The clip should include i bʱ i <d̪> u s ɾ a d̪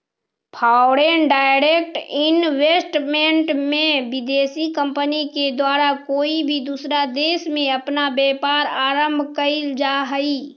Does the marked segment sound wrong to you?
no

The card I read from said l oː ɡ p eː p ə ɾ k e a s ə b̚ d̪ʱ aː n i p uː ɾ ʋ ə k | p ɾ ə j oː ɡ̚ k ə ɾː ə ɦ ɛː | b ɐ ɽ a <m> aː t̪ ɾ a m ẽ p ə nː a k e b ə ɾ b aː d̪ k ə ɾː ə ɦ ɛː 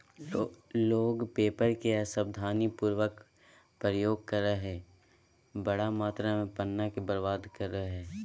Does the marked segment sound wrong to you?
no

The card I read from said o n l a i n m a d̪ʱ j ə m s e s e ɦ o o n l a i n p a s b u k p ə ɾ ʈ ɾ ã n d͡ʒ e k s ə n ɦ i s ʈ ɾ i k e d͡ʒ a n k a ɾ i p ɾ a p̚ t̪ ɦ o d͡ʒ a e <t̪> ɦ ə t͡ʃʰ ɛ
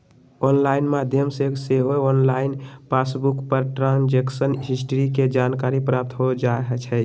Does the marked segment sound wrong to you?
yes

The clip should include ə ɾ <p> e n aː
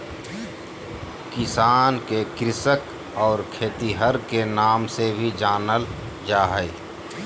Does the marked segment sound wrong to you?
yes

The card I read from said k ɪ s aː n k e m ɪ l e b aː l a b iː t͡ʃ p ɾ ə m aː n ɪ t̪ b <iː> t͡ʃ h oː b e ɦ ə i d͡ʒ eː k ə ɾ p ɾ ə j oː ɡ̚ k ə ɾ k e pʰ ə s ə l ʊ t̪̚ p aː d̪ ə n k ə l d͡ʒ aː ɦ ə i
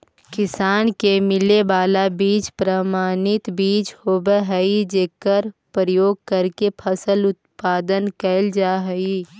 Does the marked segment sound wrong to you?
no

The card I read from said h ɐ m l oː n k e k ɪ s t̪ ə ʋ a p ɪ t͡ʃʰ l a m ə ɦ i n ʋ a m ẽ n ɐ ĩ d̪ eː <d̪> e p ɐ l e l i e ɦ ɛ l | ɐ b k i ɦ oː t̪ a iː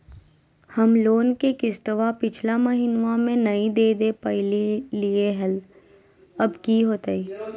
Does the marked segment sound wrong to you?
no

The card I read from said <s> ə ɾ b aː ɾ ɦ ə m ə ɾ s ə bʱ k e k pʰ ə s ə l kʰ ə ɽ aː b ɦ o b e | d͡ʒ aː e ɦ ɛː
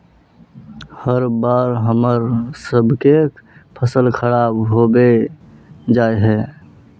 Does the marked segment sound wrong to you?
yes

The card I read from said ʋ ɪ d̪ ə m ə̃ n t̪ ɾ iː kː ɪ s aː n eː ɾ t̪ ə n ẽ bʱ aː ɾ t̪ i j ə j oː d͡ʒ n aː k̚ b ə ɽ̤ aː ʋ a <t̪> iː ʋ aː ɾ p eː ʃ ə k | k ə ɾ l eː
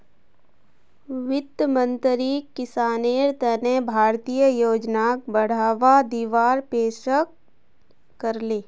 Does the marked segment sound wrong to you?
yes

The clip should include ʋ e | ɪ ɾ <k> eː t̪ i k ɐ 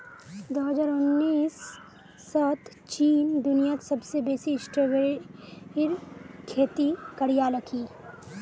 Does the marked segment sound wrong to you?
yes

